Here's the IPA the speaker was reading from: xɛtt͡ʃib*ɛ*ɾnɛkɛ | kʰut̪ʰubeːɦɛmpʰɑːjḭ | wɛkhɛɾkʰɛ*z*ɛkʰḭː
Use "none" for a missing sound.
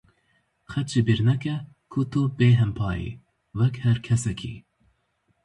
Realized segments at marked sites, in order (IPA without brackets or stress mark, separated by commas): i, s